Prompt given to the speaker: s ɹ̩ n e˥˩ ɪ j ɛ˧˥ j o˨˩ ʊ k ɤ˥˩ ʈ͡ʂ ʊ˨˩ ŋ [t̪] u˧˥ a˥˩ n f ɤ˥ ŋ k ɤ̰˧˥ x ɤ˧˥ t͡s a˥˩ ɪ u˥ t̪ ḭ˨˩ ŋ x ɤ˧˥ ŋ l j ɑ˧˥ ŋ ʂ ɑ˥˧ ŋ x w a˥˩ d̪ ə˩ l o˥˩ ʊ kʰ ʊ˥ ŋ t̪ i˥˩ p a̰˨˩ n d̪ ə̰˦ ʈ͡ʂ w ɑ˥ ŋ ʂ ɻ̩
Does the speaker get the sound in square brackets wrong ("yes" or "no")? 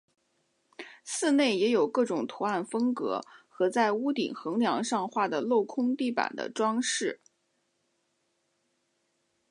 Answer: yes